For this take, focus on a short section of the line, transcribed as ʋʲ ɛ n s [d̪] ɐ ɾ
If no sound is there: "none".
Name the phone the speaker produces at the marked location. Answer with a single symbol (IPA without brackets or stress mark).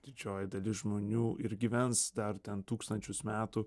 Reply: d̪